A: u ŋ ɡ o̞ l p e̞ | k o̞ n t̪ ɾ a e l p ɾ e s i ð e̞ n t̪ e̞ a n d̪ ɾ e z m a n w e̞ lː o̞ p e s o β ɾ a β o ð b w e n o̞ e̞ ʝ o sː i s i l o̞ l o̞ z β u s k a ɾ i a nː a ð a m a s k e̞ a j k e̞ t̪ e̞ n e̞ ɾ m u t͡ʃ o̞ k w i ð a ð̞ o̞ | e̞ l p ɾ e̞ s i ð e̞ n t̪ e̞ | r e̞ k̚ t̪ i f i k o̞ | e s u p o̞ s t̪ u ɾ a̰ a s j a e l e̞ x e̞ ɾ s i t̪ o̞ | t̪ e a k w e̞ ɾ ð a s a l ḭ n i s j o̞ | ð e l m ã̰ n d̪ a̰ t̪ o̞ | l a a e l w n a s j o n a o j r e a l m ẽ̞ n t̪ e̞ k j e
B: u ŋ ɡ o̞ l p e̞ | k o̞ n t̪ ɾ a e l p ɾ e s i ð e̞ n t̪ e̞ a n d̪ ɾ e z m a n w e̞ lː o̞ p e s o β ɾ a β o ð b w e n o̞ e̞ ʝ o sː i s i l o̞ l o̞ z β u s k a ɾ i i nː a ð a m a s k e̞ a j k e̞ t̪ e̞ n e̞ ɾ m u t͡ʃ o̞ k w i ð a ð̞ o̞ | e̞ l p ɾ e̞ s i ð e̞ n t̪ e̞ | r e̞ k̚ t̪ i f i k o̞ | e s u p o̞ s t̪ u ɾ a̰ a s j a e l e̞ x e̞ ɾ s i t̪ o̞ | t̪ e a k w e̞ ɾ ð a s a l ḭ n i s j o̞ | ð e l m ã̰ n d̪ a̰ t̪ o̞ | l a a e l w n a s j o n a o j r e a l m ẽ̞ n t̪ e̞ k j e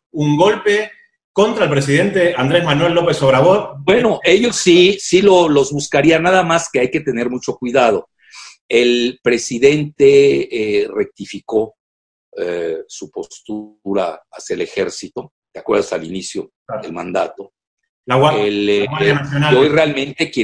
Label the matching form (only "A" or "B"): A